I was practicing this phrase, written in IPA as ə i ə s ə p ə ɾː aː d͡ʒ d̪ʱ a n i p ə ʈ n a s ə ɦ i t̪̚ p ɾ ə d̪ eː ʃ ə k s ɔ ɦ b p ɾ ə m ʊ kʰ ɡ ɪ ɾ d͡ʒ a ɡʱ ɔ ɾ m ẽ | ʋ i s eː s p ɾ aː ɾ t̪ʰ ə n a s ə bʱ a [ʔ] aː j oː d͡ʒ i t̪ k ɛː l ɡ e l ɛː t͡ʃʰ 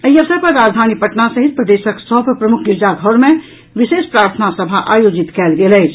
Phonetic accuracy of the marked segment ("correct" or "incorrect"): correct